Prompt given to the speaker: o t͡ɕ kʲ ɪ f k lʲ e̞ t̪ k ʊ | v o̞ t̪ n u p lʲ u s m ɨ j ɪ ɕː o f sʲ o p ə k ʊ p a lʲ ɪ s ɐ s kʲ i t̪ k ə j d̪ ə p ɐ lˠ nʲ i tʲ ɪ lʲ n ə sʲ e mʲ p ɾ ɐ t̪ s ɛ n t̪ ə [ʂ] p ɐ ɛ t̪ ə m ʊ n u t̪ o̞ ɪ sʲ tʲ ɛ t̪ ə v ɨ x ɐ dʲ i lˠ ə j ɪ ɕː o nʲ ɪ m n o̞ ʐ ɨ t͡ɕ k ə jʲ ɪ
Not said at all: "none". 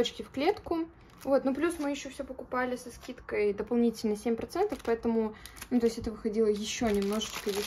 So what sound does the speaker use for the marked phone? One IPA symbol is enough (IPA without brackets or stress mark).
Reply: f